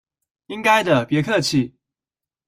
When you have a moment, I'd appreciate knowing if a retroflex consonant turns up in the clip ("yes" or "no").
no